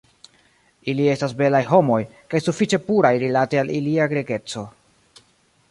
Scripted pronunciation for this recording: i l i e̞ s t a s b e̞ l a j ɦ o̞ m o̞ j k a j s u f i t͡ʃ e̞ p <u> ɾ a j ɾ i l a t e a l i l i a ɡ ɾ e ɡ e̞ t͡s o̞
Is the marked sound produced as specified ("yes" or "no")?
yes